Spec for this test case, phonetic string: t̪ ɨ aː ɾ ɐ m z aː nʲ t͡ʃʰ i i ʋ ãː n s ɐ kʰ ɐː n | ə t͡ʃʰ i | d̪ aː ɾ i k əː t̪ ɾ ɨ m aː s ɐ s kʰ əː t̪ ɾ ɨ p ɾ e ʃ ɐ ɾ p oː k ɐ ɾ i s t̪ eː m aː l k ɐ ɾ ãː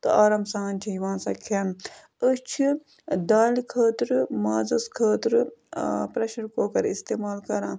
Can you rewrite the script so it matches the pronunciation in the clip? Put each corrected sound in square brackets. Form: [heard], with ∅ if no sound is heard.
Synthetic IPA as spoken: t̪ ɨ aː ɾ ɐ m [s] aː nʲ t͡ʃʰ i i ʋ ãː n s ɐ kʰ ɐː n | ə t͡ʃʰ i | d̪ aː [l] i [kʰ] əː t̪ ɾ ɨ m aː [z] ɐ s kʰ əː t̪ ɾ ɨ p ɾ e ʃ ɐ ɾ [k] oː k ɐ ɾ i s t̪ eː m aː l k ɐ ɾ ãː